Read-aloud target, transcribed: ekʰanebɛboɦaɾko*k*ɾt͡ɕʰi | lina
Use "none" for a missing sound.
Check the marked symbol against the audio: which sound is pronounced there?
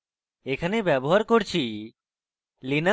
none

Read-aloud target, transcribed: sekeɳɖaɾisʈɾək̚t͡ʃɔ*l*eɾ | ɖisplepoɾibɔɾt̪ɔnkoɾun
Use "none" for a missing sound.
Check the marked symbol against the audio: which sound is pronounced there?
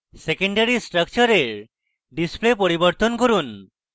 ɾ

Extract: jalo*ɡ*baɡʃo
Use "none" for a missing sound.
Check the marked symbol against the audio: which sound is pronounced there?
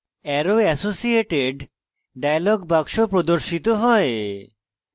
ɡ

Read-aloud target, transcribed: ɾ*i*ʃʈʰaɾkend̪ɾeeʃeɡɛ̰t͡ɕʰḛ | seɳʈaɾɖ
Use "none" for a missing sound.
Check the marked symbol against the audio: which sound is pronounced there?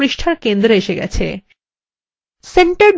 i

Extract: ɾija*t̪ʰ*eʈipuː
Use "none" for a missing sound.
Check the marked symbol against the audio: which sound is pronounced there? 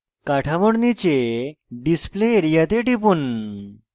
t̪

